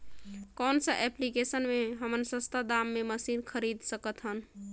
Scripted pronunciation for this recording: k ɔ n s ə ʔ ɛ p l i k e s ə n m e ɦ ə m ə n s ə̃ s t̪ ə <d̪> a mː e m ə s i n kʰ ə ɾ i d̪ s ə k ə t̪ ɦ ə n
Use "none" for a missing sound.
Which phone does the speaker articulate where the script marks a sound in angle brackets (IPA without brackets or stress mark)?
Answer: d̪